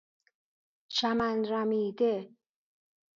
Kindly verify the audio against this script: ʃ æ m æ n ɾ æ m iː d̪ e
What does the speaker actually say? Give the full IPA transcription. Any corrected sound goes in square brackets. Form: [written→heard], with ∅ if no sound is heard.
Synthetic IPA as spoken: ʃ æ m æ n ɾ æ m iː d̪ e

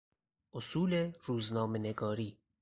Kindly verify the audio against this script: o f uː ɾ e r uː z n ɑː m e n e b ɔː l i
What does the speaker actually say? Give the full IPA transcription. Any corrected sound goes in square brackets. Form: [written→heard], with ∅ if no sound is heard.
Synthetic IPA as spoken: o [f→s] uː [ɾ→l] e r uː z n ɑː m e n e [b→ɡ] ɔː [l→ɾ] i

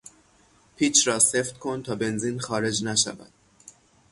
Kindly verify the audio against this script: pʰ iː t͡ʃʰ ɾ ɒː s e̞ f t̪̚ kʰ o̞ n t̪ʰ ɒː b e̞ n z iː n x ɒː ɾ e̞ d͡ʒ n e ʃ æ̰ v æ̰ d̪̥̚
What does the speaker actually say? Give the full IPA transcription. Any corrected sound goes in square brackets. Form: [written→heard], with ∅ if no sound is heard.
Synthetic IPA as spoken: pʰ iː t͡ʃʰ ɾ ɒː s e̞ f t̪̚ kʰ o̞ n t̪ʰ ɒː b e̞ n z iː n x ɒː ɾ e̞ d͡ʒ n [e→æ] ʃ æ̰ v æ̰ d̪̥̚

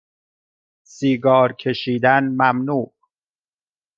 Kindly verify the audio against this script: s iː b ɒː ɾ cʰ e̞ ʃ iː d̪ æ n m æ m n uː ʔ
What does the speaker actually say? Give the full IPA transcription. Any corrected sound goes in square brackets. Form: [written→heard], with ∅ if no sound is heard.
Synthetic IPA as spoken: s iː [b→ɡ] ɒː ɾ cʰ e̞ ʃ iː d̪ æ n m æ m n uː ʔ

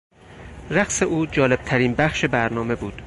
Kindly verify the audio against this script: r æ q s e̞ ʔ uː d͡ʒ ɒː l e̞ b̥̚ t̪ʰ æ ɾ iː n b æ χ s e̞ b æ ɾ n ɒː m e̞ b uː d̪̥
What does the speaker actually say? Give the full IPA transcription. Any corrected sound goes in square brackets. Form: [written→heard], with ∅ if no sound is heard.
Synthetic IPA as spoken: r æ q s e̞ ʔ uː d͡ʒ ɒː l e̞ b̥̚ t̪ʰ æ ɾ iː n b æ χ [s→ʃ] e̞ b æ ɾ n ɒː m e̞ b uː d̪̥

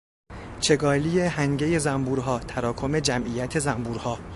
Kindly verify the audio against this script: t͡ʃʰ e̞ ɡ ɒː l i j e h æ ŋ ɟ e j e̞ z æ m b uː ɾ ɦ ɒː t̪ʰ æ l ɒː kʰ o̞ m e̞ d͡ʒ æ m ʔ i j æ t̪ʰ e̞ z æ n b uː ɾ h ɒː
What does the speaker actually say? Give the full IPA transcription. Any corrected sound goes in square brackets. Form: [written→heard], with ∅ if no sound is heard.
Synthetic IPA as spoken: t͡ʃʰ e̞ ɡ ɒː l i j e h æ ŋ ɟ e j e̞ z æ m b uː ɾ ɦ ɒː t̪ʰ æ [l→ɾ] ɒː kʰ o̞ m e̞ d͡ʒ æ m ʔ i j æ t̪ʰ e̞ z æ [n→m] b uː ɾ h ɒː

